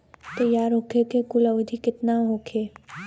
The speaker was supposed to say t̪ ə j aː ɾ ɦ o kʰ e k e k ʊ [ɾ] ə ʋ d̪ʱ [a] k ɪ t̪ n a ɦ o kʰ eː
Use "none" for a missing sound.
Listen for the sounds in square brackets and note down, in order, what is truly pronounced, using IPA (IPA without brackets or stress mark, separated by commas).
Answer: l, i